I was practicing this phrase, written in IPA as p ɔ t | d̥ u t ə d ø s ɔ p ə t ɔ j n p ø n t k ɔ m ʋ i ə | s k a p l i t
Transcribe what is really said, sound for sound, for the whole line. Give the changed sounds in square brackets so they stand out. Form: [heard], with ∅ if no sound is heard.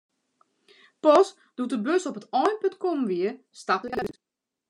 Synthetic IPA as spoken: p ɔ [s] | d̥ u t ə [b] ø s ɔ p ə t ɔ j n p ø n t k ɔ m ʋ i ə | s [t] a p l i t